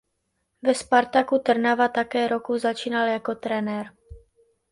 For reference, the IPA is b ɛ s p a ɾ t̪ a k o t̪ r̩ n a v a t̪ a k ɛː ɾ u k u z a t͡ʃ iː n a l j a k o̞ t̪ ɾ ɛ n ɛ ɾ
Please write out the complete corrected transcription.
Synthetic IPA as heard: v ɛ s p a ɾ t̪ a k u t̪ r̩ n a v a t̪ a k ɛː ɾ o k u z a t͡ʃ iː n a l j a k o̞ t̪ ɾ ɛ n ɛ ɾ